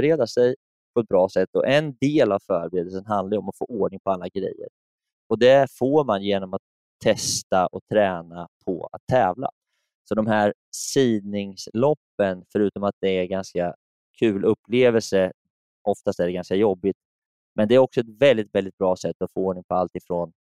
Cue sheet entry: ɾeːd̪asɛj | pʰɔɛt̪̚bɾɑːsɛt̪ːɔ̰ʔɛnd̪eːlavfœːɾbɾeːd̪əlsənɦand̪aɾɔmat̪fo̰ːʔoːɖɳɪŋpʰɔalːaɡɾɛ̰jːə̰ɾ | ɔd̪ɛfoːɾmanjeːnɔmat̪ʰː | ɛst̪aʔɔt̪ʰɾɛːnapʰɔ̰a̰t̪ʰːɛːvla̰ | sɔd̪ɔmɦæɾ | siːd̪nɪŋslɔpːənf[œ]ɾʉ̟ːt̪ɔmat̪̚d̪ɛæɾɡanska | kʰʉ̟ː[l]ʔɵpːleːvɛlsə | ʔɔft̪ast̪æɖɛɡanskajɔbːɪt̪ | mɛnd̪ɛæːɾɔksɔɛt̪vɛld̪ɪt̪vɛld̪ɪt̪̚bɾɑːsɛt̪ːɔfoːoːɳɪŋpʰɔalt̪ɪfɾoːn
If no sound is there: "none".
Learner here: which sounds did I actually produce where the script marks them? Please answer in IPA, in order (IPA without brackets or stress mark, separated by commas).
œ, l